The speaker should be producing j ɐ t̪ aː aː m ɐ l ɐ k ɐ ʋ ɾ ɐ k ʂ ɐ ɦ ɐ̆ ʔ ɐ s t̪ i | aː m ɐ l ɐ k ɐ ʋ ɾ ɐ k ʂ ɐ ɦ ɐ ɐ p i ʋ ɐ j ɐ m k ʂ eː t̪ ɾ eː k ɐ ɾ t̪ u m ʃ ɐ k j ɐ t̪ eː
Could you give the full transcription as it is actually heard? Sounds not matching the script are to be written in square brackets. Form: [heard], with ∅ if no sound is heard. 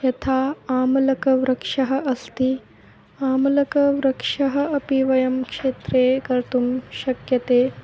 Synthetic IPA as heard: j ɐ [t̪ʰ] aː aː m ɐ l ɐ k ɐ ʋ ɾ ɐ k ʂ ɐ ɦ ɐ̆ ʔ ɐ s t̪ i | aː m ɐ l ɐ k ɐ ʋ ɾ ɐ k ʂ ɐ ɦ ɐ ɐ p i ʋ ɐ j ɐ m k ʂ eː t̪ ɾ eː k ɐ ɾ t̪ u m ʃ ɐ k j ɐ t̪ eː